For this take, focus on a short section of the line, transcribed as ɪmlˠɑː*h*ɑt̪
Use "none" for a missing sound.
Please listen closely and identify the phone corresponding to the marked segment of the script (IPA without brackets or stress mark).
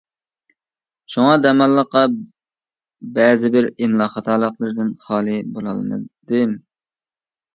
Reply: χ